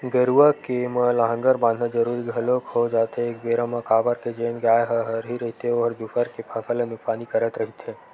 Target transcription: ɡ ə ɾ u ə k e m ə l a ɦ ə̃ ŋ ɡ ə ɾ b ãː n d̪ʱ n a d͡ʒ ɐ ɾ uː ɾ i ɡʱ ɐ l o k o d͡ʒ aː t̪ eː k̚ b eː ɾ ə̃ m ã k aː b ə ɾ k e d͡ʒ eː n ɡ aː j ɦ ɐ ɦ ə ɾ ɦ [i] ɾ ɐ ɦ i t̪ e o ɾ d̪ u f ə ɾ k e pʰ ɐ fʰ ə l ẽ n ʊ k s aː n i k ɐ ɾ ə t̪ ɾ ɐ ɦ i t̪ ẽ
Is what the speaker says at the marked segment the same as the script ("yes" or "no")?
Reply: yes